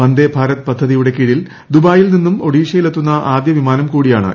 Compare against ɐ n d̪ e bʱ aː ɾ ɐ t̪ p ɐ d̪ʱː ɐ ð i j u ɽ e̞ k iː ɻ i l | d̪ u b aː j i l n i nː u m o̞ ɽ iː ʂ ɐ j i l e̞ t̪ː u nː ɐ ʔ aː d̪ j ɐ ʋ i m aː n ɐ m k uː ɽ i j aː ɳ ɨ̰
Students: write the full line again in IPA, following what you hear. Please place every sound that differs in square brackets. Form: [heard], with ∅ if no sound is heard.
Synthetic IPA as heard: ɐ n d̪ e bʱ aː ɾ ɐ t̪ p ɐ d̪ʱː ɐ ð i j u ɽ e̞ k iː ɻ i l | d̪ u b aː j i l n i nː u m o̞ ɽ iː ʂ ɐ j i l e̞ t̪ː u nː ɐ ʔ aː d̪ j ɐ ʋ i m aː n ɐ m k uː ɽ i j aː ɳ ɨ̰